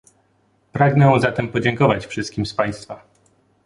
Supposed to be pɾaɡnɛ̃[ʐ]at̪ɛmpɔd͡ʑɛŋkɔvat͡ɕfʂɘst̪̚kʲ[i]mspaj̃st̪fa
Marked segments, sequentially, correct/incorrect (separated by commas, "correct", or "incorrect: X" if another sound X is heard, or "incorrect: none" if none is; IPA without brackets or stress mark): incorrect: z, correct